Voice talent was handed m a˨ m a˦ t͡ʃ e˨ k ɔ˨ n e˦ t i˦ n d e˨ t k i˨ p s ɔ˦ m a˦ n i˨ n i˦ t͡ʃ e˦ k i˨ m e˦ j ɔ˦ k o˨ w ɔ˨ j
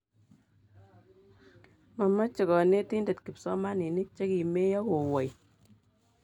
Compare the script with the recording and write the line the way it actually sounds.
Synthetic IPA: m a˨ m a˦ t͡ʃ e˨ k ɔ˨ n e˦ t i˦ n d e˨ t k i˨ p s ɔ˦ m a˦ n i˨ n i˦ t͡ʃ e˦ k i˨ m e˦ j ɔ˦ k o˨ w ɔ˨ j